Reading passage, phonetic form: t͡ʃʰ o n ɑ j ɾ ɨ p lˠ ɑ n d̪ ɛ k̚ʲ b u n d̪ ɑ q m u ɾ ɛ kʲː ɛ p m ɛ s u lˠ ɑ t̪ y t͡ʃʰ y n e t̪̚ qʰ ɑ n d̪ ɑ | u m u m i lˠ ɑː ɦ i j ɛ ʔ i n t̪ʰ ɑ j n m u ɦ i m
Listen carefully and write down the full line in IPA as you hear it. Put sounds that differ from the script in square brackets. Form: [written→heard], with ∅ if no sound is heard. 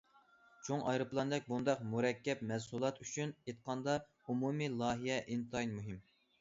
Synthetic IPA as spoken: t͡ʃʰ o [n→ŋ] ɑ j ɾ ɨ p lˠ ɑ n d̪ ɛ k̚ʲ b u n d̪ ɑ q m u ɾ ɛ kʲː ɛ p m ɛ s u lˠ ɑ t̪ y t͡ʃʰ y n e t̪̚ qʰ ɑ n d̪ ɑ | u m u m i lˠ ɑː ɦ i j ɛ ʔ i n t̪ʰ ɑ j n m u ɦ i m

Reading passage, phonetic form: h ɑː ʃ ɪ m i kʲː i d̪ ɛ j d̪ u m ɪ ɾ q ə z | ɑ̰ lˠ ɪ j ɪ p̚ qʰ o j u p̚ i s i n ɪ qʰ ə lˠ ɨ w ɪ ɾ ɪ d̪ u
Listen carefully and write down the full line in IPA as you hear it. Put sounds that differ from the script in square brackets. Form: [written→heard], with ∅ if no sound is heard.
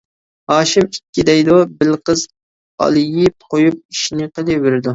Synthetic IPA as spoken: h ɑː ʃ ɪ m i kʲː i d̪ ɛ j d̪ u [m→b] ɪ [ɾ→l] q ə z | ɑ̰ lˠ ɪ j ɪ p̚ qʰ o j u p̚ i [s→ʃ] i n ɪ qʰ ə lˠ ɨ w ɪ ɾ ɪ d̪ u

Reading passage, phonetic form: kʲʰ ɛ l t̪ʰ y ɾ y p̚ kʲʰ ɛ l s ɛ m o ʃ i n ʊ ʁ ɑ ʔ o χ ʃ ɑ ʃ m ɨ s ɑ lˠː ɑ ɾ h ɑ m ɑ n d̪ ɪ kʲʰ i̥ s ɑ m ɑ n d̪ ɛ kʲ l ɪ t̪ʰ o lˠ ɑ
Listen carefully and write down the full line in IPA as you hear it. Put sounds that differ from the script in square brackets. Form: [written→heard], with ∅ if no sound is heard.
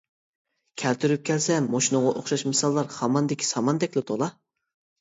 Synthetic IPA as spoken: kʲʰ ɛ l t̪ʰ y ɾ y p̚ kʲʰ ɛ l s ɛ m o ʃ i n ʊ ʁ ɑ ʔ o χ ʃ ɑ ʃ m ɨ s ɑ lˠː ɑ ɾ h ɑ m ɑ n d̪ ɪ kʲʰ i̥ s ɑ m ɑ n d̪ ɛ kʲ l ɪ t̪ʰ o lˠ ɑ

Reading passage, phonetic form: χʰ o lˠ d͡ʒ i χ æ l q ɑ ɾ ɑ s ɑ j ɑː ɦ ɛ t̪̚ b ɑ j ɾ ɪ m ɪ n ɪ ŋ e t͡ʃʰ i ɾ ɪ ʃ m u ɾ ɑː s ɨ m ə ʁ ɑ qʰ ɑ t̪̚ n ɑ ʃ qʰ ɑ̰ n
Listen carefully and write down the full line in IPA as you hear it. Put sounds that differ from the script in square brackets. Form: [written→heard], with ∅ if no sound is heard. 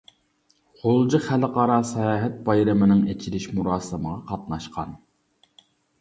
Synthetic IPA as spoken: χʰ o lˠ d͡ʒ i χ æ l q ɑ ɾ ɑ s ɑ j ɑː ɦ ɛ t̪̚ b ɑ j ɾ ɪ m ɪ n ɪ ŋ e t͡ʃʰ i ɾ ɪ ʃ m u ɾ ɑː s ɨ m ə ʁ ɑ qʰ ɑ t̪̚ n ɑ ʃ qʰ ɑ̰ n

